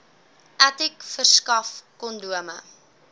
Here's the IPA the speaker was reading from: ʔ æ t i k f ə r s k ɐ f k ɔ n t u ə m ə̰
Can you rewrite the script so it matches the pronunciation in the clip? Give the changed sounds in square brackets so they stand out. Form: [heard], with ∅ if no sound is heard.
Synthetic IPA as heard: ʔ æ t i k f ə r s k ɐ f k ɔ n [d] u ə m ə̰